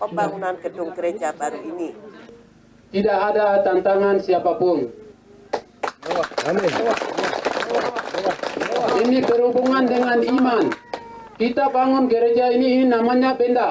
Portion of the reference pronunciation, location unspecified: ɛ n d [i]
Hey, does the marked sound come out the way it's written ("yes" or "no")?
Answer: no